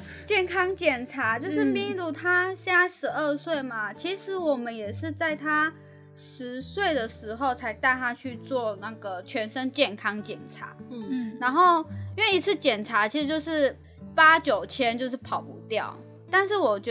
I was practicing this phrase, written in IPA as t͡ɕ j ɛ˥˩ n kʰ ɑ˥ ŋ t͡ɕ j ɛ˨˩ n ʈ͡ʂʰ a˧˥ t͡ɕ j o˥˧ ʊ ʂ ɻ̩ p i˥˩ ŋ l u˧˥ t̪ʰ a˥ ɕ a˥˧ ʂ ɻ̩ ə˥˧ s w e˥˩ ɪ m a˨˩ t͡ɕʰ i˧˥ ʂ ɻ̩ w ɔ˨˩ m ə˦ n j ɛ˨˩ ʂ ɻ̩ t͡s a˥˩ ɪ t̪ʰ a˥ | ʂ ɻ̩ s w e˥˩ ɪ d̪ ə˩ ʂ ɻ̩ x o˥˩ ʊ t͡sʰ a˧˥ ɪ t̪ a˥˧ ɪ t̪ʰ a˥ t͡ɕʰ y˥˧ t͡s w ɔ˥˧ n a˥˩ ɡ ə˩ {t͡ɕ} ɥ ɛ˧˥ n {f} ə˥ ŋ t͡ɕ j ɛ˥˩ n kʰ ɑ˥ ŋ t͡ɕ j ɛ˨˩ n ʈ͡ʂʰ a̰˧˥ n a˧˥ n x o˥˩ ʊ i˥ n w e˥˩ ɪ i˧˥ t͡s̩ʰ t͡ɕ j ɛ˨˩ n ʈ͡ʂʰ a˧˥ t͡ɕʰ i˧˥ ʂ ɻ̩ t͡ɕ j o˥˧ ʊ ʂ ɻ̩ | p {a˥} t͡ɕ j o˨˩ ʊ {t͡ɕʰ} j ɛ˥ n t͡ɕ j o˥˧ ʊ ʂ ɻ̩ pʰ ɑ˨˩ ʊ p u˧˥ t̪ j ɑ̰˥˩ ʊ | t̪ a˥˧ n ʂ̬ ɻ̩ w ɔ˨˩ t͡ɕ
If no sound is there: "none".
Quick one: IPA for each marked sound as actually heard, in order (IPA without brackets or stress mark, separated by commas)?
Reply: t͡ɕʰ, ʂ, a˥, t͡ɕʰ